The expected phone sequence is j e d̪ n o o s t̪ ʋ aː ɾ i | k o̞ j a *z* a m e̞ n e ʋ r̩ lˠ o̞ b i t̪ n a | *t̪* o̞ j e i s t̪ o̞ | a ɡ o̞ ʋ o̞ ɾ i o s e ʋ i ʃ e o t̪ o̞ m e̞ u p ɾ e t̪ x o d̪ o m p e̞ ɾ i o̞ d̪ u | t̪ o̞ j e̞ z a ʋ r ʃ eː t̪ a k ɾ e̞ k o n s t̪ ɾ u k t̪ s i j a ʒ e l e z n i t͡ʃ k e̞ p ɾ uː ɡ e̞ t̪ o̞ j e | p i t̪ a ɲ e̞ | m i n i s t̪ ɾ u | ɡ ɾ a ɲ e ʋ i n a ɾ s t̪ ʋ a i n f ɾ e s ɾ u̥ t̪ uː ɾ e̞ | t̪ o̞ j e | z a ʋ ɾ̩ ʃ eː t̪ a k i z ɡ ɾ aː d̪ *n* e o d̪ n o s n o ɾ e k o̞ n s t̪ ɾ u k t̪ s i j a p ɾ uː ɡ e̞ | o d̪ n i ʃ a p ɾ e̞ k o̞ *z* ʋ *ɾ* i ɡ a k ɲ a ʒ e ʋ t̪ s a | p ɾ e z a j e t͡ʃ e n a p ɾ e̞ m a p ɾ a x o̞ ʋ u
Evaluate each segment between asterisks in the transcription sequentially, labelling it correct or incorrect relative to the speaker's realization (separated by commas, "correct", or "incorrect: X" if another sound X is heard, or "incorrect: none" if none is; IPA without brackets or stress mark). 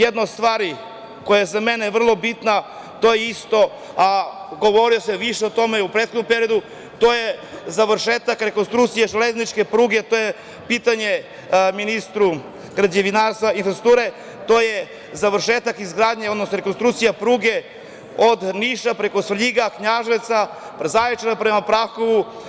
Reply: correct, correct, incorrect: ɲ, incorrect: s, incorrect: ʎ